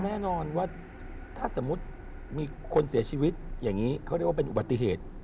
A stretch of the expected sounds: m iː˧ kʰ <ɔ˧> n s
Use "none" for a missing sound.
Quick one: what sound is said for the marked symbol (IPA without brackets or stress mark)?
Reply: o˧